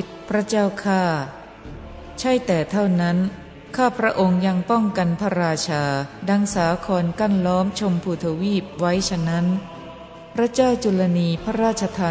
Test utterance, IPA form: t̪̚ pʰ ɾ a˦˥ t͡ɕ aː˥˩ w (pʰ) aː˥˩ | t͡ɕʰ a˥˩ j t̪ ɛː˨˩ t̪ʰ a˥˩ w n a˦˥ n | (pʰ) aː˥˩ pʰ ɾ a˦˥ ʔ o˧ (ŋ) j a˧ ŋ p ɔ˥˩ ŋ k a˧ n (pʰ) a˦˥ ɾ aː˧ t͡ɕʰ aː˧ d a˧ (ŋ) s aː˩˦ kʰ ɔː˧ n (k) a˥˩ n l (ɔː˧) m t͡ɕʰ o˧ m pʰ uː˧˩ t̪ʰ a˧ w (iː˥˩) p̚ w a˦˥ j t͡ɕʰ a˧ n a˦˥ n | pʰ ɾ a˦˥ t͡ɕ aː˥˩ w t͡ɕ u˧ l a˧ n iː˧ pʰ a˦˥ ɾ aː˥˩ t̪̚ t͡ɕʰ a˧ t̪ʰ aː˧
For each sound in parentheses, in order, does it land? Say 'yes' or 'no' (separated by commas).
no, no, yes, yes, yes, yes, no, yes